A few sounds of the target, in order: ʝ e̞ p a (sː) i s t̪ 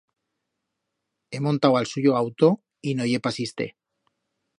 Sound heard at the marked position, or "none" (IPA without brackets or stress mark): s